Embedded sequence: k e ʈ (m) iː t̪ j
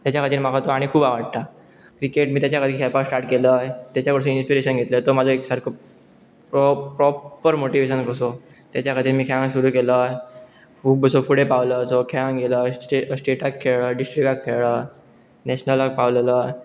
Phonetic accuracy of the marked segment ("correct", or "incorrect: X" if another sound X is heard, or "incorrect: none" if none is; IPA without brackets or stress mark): correct